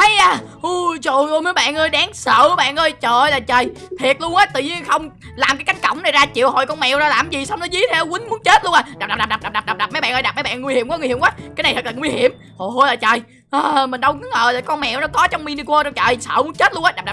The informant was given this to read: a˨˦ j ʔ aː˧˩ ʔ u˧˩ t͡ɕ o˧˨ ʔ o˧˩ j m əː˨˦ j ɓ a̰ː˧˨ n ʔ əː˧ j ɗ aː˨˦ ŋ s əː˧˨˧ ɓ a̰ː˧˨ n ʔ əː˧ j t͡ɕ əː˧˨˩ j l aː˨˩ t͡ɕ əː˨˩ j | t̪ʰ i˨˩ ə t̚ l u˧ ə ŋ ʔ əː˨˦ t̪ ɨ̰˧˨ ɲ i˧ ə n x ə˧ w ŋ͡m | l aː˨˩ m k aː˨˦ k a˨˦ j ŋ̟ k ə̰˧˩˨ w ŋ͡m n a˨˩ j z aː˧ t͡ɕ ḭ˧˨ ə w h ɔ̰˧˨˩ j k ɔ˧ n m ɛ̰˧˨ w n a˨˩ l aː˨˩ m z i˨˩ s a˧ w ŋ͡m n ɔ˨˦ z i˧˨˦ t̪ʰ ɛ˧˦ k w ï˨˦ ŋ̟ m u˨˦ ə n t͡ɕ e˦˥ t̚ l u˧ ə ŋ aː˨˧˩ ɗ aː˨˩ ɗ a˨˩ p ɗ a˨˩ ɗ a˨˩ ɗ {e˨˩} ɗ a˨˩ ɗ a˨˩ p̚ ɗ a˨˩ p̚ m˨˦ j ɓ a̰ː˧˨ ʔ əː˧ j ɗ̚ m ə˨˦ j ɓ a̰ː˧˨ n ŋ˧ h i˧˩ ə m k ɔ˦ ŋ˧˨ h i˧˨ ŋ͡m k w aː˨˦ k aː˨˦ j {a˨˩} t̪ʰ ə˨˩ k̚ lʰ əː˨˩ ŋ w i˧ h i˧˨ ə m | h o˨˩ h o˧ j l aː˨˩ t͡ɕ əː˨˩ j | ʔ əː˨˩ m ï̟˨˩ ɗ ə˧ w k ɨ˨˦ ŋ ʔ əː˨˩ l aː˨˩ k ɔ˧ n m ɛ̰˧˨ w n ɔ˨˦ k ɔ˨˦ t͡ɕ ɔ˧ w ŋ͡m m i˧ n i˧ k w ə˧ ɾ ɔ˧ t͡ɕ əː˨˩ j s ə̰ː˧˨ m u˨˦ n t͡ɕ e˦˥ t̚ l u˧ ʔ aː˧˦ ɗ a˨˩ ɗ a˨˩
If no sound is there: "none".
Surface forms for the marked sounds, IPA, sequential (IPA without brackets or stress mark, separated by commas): a˨˩, a˨˩